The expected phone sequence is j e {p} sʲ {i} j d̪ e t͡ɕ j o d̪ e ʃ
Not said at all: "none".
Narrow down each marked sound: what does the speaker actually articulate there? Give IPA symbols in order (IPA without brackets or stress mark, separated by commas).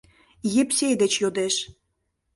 p, e